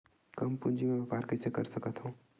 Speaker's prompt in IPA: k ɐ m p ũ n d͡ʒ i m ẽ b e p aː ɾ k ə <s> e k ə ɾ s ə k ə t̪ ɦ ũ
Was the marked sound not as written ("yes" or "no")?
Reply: no